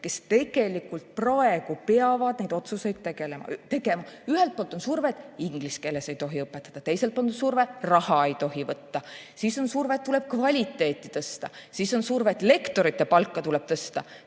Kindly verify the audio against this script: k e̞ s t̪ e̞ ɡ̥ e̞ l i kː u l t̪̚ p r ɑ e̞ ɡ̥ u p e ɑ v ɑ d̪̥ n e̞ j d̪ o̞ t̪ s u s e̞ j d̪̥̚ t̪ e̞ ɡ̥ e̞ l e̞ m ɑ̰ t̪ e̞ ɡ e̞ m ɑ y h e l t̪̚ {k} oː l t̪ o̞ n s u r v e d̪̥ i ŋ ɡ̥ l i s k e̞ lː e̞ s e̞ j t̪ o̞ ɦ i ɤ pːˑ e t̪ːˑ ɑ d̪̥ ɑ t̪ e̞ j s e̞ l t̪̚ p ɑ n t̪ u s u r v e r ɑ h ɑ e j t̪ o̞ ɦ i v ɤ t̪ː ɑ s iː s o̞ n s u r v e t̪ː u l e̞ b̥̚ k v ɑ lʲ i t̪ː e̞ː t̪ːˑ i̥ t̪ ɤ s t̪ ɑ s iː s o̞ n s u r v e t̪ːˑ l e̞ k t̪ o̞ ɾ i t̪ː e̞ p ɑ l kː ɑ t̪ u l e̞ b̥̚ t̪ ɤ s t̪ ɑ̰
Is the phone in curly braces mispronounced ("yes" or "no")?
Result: yes